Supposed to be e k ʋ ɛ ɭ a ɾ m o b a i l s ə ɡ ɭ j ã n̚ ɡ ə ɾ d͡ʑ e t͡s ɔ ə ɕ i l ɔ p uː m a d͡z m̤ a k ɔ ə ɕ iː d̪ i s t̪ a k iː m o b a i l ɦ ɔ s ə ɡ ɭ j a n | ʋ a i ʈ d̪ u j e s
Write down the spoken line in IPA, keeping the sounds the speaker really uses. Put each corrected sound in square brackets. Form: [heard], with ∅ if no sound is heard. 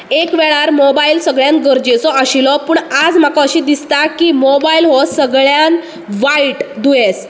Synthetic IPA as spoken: e k ʋ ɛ ɭ a ɾ m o b a i l s ə ɡ ɭ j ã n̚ ɡ ə ɾ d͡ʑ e t͡s ɔ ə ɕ i l ɔ p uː [ɳ] a d͡z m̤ a k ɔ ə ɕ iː d̪ i s t̪ a k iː m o b a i l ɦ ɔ s ə ɡ ɭ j a n | ʋ a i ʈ d̪ u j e s

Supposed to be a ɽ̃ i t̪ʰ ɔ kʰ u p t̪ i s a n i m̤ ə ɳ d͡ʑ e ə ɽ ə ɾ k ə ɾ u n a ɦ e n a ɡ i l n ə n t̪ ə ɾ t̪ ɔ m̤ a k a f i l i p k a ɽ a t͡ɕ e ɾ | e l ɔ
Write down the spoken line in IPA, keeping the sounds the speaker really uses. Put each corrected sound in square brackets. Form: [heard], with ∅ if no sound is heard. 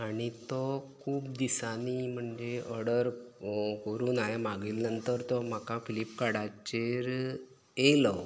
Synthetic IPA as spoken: a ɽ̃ i [t̪] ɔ kʰ [uː] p [d̪] i s a n i m̤ ə ɳ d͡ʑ e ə ɽ ə ɾ k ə ɾ [uː] n a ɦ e [m] a ɡ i l n ə n t̪ ə ɾ t̪ ɔ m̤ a k a f i l i p k a ɽ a t͡ɕ e ɾ | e l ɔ

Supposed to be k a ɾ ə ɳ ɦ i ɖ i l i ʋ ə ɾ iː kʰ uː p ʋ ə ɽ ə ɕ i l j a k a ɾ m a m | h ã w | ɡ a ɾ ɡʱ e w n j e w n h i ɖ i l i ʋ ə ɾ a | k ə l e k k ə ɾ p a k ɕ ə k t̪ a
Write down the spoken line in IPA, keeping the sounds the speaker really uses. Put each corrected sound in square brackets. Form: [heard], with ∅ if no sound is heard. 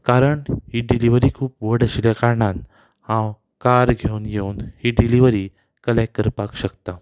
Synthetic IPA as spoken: k a ɾ ə ɳ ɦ i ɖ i l i ʋ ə ɾ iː kʰ uː p ʋ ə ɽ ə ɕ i l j a k a ɾ [ɳ] a [n] | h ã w | [k] a ɾ ɡʱ e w n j e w n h i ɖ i l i ʋ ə ɾ [i] | k ə l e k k ə ɾ p a k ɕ ə k t̪ a

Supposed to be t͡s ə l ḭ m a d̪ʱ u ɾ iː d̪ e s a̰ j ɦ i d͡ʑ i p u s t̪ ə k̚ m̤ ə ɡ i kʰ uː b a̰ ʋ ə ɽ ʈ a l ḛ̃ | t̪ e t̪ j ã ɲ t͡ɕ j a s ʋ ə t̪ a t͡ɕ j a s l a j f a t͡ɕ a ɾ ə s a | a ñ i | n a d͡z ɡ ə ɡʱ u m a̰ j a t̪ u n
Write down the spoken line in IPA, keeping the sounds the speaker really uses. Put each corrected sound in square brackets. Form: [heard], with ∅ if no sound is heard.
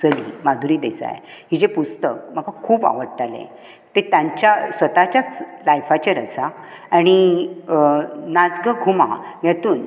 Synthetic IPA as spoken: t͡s ə l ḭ m a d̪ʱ u ɾ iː d̪ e s a̰ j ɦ i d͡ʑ [e] p u s t̪ ə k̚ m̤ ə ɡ [a] kʰ uː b a̰ ʋ ə ɽ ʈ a l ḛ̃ | t̪ e t̪ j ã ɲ t͡ɕ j a s ʋ ə t̪ a t͡ɕ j a [t͡s] l a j f a t͡ɕ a ɾ ə s a | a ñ i | n a d͡z ɡ ə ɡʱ u m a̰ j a t̪ [uː] n

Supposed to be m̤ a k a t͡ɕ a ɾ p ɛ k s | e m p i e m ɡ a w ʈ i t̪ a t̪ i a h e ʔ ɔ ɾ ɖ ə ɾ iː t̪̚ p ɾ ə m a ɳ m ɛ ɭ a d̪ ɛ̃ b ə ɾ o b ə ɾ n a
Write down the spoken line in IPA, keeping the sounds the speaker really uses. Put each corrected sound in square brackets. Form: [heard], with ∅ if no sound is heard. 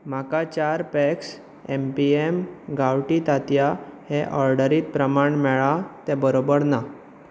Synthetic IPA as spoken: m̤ a k a t͡ɕ a ɾ p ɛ k s | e m p i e m ɡ a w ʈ i t̪ a t̪ [j] a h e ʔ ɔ ɾ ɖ ə ɾ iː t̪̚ p ɾ ə m a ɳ m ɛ ɭ a [t̪] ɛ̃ b ə ɾ o b ə ɾ n a

